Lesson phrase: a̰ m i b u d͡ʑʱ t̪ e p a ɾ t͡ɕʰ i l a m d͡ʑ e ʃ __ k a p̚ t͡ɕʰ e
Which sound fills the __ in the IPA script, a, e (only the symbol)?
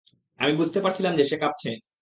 e